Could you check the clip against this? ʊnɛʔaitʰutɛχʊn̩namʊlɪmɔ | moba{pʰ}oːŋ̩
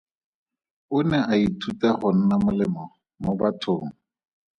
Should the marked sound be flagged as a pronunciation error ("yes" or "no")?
yes